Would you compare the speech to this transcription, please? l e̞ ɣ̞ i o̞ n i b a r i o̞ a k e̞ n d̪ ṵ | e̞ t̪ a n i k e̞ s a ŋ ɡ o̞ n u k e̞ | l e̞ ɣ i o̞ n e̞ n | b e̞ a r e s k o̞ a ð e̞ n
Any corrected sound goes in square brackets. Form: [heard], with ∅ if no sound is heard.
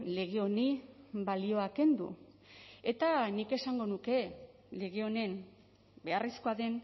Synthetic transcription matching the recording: l e̞ ɣ̞ [e] o̞ n i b a [l] i o̞ a k e̞ n d̪ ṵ | e̞ t̪ a n i k e̞ s a ŋ ɡ o̞ n u k e̞ | l e̞ ɣ [e] o̞ n e̞ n | b e̞ a r [i] s k o̞ a ð e̞ n